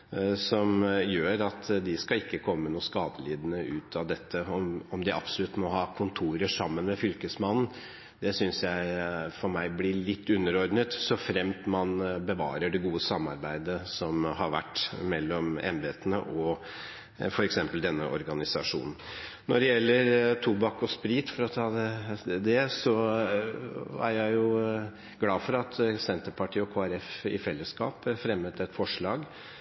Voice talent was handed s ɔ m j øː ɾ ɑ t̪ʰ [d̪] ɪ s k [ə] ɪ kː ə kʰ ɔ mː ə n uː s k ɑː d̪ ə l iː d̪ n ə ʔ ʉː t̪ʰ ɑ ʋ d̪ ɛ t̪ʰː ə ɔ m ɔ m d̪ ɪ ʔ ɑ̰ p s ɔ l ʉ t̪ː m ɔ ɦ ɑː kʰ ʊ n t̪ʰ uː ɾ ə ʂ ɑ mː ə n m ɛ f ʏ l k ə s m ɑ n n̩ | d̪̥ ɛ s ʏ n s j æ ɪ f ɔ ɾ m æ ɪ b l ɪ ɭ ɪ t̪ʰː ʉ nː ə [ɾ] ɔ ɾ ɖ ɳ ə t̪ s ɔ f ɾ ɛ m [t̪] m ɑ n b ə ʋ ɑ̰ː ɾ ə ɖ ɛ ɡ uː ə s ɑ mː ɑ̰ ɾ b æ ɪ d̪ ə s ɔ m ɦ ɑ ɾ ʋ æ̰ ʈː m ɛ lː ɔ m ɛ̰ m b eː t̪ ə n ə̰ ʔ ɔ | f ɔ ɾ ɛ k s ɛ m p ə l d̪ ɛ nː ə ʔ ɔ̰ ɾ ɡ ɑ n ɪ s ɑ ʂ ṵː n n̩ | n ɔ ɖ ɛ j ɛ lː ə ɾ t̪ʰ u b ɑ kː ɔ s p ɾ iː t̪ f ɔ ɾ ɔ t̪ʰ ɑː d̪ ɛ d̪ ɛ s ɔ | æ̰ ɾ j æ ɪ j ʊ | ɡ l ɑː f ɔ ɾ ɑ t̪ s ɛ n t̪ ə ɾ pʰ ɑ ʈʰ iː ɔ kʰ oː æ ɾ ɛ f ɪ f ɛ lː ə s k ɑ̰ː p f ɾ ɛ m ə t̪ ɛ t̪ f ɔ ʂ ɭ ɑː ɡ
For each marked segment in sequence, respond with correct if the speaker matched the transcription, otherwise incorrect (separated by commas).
correct, incorrect, correct, correct